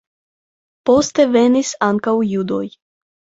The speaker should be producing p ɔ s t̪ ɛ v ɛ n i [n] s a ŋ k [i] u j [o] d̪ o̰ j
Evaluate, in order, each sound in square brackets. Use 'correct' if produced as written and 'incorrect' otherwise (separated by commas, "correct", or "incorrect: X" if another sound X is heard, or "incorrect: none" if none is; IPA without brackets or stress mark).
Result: incorrect: none, incorrect: a, incorrect: u